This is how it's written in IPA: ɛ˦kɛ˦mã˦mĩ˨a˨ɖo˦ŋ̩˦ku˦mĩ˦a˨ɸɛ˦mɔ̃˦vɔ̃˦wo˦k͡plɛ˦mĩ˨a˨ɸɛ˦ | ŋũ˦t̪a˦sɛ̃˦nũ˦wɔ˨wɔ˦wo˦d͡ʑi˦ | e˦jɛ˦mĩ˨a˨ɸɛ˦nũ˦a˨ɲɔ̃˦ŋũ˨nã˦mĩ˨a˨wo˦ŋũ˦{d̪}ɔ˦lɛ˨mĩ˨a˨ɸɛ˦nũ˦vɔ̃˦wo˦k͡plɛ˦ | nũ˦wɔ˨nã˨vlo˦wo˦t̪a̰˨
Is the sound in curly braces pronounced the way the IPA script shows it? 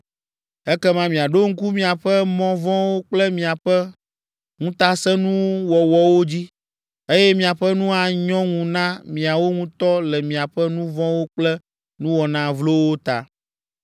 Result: no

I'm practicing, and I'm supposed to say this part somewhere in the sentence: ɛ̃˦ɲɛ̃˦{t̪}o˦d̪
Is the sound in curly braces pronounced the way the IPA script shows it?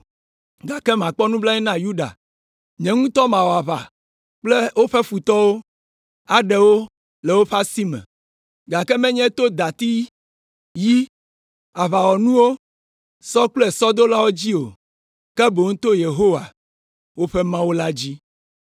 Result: yes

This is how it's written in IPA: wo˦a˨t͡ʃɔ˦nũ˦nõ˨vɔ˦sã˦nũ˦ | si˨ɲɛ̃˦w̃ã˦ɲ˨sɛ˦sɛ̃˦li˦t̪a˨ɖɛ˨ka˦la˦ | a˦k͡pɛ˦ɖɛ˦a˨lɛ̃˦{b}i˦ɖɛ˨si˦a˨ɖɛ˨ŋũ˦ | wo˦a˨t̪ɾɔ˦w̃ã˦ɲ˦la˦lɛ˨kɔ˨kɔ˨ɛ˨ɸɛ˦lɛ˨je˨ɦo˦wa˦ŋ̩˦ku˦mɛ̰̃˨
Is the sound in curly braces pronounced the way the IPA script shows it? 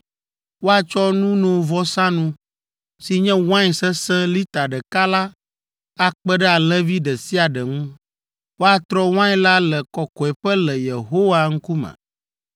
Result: no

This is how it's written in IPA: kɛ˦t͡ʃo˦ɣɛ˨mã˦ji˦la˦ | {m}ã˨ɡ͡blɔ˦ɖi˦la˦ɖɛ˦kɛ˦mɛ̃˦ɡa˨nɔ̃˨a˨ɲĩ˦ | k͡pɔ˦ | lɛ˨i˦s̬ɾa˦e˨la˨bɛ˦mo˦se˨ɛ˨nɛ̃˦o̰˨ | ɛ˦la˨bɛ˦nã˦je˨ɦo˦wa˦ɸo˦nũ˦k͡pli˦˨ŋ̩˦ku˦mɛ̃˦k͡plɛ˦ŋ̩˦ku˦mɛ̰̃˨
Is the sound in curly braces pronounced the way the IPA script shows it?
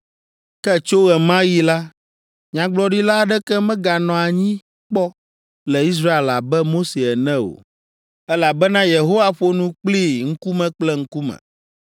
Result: no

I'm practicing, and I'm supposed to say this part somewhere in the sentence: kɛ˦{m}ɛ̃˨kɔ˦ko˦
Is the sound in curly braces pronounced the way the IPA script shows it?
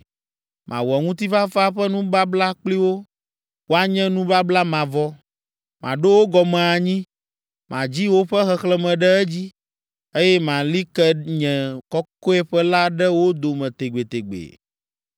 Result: no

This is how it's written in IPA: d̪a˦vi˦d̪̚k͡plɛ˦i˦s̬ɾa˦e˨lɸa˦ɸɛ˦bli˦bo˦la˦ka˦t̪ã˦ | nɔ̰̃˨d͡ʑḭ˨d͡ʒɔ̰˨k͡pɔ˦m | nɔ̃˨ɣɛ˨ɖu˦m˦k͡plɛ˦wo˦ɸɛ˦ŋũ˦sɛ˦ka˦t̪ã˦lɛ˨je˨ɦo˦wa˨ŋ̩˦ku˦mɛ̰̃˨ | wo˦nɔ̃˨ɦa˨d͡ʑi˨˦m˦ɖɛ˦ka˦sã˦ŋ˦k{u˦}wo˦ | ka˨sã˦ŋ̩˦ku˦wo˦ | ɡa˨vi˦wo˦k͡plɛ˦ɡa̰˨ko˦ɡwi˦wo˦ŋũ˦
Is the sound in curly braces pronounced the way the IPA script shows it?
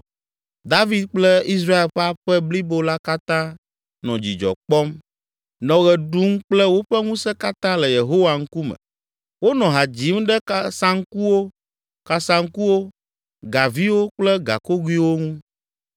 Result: yes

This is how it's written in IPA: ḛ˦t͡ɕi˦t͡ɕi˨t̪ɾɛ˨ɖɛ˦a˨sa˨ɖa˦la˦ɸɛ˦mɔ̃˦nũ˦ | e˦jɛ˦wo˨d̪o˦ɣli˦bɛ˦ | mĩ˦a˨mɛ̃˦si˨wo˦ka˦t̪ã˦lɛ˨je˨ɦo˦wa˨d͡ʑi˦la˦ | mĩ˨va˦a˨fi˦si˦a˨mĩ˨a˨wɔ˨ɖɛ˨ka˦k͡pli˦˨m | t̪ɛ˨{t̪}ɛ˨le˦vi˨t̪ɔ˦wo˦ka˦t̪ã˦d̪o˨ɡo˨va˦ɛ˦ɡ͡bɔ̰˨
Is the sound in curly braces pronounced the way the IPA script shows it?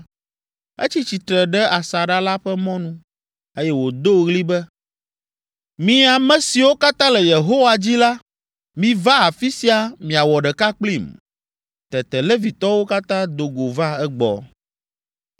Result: yes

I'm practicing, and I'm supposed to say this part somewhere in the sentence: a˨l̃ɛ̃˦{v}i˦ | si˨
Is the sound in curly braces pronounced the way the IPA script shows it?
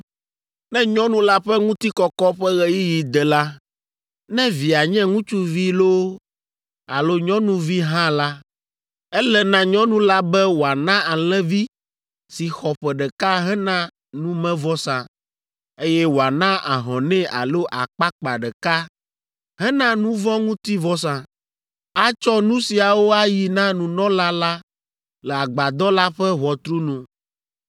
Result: yes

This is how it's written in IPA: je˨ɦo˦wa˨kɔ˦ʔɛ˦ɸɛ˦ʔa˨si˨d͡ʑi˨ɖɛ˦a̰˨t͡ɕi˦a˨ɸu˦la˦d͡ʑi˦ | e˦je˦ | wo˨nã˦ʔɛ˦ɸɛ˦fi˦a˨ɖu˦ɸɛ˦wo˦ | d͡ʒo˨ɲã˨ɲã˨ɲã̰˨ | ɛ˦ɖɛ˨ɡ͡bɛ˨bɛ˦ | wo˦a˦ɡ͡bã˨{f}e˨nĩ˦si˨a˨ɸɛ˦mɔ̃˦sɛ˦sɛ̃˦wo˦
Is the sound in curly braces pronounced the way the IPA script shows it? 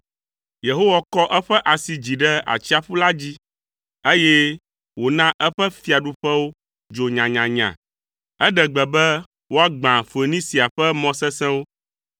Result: yes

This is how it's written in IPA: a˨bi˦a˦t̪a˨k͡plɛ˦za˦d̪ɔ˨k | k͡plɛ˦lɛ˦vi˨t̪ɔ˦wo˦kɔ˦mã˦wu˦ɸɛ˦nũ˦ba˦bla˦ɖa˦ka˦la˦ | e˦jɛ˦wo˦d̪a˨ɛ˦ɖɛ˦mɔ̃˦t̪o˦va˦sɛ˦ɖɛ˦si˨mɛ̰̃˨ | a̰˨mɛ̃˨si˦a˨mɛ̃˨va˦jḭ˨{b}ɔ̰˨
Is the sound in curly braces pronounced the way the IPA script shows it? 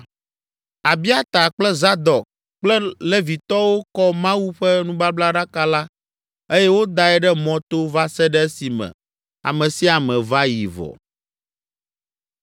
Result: no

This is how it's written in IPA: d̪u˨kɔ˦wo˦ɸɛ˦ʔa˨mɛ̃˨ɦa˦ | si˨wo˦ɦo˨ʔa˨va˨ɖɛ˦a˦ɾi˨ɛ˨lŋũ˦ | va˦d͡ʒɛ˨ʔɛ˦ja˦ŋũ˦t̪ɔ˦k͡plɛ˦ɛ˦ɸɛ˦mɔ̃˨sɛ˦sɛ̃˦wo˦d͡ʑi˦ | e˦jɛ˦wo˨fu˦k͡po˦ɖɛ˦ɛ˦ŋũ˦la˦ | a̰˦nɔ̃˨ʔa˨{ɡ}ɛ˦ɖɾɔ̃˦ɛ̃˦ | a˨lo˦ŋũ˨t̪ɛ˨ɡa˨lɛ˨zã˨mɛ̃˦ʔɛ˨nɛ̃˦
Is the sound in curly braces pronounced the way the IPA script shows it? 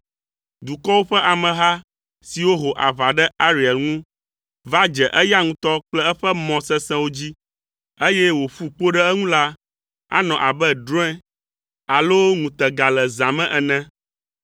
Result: no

